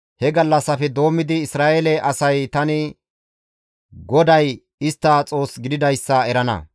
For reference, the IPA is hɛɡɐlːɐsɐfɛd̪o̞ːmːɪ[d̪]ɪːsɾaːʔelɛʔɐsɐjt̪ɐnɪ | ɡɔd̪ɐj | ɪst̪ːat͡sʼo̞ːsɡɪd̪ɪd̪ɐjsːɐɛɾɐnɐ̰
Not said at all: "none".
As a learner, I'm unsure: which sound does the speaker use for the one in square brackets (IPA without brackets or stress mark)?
d̪